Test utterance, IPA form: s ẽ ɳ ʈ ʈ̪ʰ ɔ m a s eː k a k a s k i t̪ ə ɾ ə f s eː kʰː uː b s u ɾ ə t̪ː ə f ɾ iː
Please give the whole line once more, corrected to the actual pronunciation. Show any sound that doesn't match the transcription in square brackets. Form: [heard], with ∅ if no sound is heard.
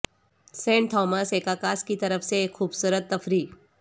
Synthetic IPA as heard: s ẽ ɳ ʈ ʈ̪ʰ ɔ m a s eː k a k a s k i t̪ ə ɾ ə f s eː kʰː uː b s u ɾ ə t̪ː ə f ɾ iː